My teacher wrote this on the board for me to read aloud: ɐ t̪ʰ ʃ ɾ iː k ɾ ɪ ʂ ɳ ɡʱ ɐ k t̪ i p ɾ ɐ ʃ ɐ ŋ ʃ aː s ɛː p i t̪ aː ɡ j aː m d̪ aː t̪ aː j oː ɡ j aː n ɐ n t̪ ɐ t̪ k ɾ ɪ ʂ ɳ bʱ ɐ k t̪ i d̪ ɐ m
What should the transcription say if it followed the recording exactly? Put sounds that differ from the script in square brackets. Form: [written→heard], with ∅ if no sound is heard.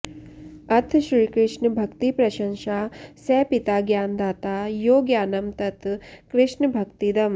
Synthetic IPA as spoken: ɐ t̪ʰ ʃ ɾ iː k ɾ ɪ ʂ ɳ [ɡʱ→bʱ] ɐ k t̪ i p ɾ ɐ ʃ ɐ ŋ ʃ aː s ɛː p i t̪ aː ɡ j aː [m→n] d̪ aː t̪ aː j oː ɡ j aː n ɐ [n→m] t̪ ɐ t̪ k ɾ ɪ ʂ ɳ bʱ ɐ k t̪ i d̪ ɐ m